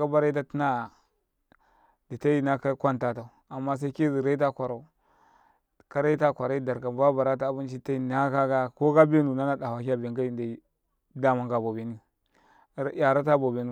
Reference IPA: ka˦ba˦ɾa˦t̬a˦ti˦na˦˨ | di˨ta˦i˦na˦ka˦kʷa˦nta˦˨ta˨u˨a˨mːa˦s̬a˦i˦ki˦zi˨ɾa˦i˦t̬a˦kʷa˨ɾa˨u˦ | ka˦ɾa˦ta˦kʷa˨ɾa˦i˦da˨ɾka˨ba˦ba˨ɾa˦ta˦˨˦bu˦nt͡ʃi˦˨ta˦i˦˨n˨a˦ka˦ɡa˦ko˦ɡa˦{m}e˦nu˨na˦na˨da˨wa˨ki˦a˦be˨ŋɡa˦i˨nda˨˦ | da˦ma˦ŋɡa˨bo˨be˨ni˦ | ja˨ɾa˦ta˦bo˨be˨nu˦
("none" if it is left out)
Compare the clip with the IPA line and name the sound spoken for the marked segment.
b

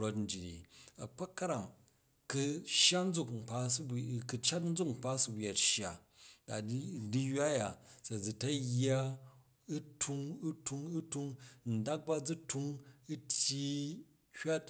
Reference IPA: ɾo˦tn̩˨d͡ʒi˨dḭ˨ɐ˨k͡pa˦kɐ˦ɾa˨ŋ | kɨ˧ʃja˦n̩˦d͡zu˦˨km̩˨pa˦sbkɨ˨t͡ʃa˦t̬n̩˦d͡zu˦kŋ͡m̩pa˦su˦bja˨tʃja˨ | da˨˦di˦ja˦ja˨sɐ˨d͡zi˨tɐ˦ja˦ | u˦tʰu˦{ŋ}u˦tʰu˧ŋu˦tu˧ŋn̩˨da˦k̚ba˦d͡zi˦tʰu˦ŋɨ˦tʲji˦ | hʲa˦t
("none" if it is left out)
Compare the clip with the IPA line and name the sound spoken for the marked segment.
ŋ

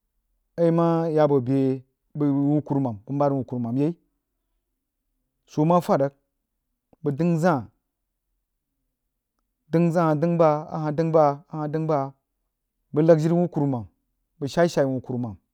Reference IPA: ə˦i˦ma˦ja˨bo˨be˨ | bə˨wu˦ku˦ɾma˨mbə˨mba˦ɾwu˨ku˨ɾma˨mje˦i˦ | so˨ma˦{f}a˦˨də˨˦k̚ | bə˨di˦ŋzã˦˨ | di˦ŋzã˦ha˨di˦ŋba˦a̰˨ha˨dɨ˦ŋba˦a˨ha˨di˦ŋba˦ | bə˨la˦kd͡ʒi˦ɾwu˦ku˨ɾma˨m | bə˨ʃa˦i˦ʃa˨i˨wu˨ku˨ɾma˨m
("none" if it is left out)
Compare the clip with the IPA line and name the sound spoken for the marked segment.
f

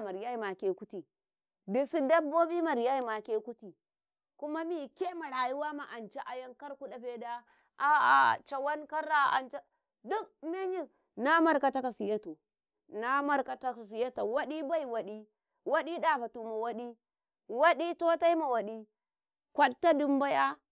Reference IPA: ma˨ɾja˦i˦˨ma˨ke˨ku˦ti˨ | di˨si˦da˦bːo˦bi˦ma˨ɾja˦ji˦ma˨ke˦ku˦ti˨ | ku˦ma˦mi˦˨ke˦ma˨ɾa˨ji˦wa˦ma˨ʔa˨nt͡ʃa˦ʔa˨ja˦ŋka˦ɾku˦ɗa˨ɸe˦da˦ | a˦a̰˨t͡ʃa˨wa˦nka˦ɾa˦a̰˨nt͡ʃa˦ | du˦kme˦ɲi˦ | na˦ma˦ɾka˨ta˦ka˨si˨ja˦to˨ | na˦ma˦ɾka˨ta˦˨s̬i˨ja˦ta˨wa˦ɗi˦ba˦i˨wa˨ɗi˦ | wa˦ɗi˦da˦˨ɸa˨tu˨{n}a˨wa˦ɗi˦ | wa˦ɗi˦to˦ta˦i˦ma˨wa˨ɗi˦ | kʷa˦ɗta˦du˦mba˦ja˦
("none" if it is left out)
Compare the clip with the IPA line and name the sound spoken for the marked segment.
m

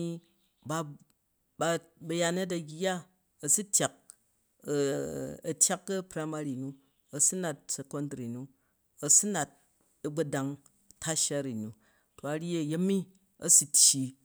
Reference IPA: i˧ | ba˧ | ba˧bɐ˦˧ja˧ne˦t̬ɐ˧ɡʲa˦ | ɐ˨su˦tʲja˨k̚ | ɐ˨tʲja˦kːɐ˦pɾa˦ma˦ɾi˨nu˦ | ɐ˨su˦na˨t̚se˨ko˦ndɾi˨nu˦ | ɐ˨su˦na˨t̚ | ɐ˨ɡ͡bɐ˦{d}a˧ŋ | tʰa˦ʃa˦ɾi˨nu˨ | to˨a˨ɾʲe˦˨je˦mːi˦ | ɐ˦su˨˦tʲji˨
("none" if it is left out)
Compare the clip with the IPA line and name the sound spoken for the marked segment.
d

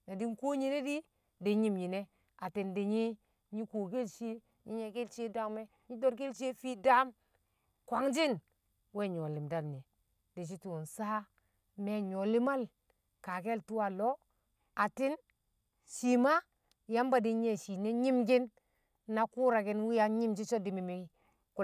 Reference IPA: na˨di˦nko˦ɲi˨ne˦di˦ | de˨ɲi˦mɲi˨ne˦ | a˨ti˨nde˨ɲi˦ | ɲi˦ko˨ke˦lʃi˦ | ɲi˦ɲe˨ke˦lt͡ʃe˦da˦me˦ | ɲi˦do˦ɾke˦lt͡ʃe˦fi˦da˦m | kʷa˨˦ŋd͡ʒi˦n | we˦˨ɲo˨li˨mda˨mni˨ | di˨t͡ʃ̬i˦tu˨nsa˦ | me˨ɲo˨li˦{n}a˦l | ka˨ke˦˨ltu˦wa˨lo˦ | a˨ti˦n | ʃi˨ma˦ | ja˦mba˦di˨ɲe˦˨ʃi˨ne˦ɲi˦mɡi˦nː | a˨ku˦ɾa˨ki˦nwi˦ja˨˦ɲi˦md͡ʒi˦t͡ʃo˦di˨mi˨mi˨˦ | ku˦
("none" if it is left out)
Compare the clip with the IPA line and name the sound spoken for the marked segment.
m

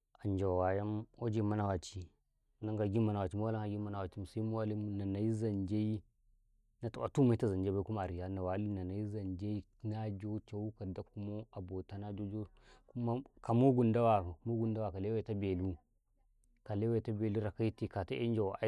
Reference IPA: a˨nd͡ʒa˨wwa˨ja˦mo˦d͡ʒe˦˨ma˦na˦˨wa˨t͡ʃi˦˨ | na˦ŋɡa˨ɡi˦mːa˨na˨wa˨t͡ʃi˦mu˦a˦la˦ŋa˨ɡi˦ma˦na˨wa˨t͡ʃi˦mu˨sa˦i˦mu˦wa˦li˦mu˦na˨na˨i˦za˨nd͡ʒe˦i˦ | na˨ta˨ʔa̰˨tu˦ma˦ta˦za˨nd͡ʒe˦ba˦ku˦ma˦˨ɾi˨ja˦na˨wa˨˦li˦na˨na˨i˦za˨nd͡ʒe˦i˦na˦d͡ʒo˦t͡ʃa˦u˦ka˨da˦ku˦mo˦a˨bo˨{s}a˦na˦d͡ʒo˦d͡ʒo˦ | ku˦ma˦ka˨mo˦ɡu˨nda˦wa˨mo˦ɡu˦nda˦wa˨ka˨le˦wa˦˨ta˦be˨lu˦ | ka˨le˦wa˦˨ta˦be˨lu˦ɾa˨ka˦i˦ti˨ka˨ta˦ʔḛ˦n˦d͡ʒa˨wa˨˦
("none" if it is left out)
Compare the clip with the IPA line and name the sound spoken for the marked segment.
t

